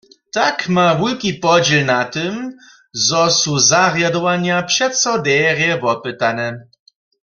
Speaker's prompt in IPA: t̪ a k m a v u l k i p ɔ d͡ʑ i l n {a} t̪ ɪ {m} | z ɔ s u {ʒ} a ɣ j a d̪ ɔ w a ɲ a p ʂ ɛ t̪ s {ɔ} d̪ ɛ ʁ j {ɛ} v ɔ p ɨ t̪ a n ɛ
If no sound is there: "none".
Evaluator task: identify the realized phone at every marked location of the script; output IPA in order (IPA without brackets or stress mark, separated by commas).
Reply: a, m, z, ɔ, ɛ